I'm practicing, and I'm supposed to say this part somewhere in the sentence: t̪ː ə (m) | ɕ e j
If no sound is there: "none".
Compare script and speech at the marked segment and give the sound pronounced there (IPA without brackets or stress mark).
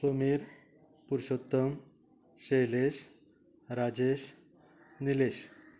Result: m